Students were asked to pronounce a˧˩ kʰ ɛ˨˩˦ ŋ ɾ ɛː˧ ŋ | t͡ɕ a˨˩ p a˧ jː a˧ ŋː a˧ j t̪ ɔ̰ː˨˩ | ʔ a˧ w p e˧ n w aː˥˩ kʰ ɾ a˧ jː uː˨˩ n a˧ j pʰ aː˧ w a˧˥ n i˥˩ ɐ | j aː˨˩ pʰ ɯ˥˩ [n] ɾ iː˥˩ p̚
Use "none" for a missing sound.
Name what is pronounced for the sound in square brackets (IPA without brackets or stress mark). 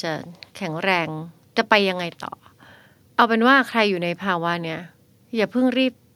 ŋ